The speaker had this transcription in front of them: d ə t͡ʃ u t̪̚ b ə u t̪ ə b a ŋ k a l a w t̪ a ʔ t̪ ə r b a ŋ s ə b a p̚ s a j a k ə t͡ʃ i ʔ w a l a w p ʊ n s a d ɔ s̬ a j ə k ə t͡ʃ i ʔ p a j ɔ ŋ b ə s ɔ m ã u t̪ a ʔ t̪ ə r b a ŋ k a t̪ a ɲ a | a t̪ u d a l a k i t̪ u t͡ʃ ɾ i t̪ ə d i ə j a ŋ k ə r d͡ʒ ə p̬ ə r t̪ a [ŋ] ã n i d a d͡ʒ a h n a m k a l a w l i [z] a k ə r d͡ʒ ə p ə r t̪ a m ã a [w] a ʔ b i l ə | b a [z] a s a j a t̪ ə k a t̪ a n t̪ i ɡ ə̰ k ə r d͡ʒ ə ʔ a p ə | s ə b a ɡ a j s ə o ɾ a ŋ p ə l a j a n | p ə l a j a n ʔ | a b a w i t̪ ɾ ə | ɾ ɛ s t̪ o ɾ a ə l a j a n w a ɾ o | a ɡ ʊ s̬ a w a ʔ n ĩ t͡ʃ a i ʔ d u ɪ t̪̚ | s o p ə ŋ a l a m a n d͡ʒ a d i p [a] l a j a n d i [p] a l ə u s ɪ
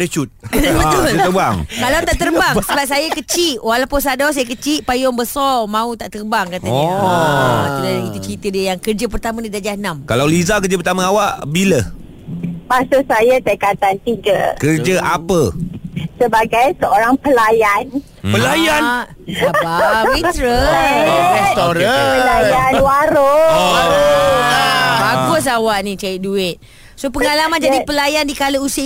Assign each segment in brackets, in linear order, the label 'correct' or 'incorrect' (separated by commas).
incorrect, correct, correct, incorrect, incorrect, incorrect